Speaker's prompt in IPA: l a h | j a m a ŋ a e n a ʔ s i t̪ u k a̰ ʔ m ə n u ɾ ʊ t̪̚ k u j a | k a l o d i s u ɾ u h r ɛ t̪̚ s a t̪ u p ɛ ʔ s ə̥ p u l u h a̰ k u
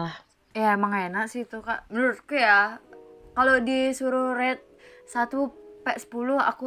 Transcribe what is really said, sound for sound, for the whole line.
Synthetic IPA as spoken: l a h | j a m a ŋ a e n a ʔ s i t̪ u k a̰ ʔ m ə n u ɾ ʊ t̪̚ k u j a | k a l o d i s u ɾ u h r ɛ t̪̚ s a t̪ u p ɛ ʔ s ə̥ p u l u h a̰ k u